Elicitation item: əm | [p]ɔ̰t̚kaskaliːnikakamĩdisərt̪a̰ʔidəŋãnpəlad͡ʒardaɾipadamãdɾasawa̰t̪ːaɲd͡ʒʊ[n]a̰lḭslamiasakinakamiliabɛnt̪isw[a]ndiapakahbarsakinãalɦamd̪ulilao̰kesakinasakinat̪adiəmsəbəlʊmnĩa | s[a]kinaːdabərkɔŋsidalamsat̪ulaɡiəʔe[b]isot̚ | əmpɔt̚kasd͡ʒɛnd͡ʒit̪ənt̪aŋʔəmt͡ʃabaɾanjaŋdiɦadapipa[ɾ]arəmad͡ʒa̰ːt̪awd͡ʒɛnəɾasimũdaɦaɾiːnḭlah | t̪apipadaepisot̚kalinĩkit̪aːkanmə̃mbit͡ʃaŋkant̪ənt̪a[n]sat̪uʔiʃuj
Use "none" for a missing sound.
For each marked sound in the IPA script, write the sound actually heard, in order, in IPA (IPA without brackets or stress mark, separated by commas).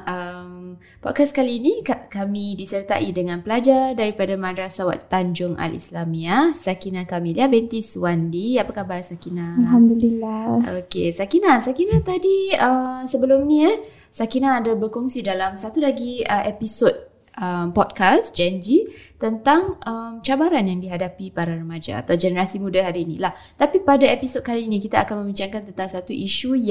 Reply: p, ŋ, a, a, p, ɾ, ŋ